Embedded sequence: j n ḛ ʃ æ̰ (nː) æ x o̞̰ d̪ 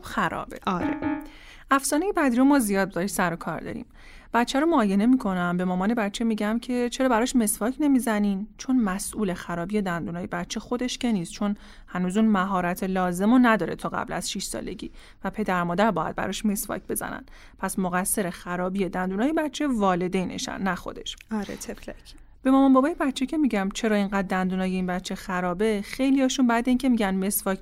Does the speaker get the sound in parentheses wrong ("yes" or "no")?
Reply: no